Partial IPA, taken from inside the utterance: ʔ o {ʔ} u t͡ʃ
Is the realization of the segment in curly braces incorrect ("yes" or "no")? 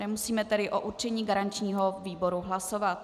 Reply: no